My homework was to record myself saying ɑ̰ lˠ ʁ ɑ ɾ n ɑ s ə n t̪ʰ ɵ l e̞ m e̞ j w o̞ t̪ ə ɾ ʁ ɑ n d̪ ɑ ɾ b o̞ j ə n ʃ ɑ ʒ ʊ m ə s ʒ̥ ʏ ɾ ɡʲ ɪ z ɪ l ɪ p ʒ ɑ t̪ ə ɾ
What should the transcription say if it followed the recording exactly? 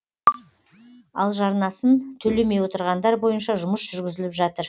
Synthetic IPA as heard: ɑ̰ lˠ ʒ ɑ ɾ n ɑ s ə n t̪ʰ ɵ l e̞ m e̞ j w o̞ t̪ ə ɾ ʁ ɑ n d̪ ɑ ɾ b o̞ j ə n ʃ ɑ ʒ ʊ m ə s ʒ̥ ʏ ɾ ɡʲ ɪ z ɪ l ɪ p ʒ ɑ t̪ ə ɾ